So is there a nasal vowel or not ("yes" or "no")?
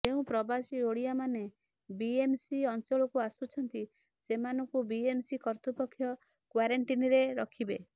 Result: yes